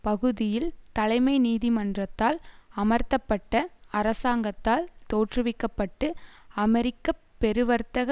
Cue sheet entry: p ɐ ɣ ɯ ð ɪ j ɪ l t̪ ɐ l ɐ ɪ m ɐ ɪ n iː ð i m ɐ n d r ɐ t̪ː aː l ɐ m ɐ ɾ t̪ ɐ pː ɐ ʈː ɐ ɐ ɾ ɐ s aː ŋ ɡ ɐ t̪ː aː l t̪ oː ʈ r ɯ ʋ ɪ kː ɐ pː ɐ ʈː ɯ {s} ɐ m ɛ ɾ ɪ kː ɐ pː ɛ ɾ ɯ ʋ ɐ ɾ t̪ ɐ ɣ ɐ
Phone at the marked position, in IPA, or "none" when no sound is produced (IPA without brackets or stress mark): none